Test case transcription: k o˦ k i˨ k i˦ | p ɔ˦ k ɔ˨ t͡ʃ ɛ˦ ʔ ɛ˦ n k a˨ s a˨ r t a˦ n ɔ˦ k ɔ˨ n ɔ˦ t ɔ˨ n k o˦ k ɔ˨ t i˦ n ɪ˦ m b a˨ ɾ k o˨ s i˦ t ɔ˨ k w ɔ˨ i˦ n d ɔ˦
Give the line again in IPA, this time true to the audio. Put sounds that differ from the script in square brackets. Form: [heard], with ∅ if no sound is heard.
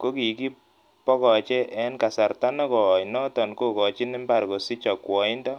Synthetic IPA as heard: k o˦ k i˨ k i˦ | p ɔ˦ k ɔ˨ t͡ʃ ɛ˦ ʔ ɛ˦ n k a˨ s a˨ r t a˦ n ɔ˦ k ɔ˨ n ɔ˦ t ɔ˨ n k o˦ k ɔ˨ [t͡ʃ] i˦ n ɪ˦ m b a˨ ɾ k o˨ s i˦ [t͡ʃ] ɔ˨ k w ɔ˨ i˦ n d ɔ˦